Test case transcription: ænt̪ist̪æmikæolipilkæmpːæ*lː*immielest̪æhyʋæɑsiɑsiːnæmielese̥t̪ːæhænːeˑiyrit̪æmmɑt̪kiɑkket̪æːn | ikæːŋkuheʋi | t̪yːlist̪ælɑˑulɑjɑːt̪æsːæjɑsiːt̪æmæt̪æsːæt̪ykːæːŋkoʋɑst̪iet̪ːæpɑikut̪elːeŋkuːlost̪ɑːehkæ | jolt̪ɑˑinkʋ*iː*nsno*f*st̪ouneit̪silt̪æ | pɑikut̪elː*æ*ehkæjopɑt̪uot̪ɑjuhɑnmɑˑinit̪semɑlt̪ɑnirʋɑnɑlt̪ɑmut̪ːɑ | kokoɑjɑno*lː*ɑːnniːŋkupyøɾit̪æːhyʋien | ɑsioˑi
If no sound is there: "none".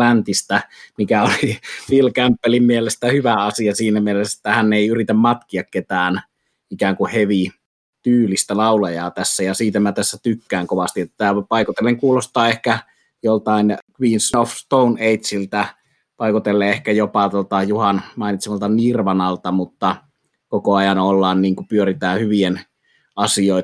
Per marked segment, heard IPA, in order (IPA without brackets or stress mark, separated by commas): l, iː, f, e, lː